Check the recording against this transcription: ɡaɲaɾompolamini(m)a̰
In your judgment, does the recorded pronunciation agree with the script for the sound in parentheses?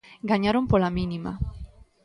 yes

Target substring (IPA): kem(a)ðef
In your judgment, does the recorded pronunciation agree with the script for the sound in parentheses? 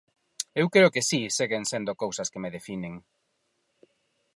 no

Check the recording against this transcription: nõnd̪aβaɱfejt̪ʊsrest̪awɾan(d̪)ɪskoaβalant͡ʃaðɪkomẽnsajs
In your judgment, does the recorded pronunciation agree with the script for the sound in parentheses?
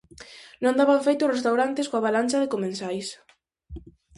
no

